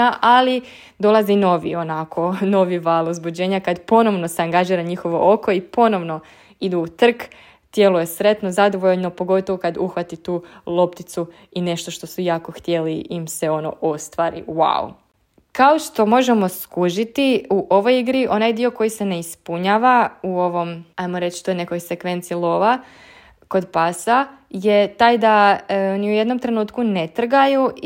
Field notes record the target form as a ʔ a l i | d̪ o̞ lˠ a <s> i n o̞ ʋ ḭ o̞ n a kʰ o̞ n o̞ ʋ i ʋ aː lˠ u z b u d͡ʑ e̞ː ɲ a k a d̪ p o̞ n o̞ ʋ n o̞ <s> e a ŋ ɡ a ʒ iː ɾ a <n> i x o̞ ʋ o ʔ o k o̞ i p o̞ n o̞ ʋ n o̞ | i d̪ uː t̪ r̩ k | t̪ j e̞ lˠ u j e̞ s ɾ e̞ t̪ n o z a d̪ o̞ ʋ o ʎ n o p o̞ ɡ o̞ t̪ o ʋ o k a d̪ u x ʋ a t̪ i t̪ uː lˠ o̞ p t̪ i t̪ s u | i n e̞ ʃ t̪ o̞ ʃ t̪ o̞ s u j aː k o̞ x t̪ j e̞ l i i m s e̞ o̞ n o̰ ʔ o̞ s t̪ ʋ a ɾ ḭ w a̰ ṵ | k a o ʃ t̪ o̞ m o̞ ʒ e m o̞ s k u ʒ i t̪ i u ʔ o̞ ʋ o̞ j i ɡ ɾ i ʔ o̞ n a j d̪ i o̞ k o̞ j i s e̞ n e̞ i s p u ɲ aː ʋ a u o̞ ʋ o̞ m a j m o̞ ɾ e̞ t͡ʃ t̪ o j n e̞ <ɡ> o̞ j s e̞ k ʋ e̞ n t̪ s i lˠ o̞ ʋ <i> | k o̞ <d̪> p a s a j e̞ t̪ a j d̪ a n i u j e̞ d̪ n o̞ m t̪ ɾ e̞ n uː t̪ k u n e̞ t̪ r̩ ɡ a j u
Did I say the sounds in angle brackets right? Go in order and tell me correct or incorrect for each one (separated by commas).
incorrect, correct, incorrect, incorrect, incorrect, correct